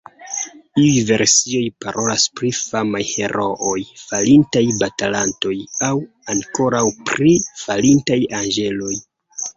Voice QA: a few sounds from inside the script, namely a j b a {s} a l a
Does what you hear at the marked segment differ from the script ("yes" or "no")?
yes